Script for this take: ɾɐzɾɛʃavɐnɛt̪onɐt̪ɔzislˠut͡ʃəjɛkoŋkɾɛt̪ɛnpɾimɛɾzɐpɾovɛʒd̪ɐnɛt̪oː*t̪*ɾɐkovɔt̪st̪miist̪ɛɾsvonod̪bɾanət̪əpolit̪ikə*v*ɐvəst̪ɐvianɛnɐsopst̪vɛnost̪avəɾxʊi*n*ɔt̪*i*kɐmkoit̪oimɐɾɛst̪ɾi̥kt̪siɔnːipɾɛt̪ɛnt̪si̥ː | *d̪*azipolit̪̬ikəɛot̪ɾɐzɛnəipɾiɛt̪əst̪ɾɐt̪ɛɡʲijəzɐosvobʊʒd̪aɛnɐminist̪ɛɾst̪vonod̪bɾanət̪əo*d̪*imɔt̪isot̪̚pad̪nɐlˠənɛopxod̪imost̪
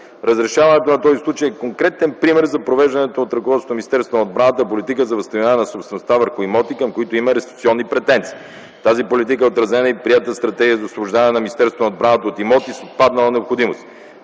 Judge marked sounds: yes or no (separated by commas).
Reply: yes, no, no, yes, no, no